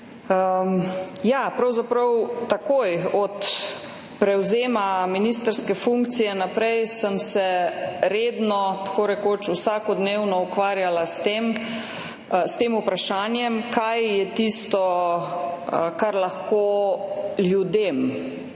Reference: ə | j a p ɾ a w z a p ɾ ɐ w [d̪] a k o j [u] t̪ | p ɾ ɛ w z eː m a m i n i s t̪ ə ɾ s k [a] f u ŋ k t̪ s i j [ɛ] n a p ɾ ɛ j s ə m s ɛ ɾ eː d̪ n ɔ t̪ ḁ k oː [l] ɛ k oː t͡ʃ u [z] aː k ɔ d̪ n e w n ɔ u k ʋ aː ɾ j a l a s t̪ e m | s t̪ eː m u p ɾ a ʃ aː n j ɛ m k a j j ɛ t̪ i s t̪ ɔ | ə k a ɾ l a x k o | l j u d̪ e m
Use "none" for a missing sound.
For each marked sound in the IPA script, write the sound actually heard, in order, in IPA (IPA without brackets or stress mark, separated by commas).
t̪, ɔ, ɛ, ɛ, ɾ, s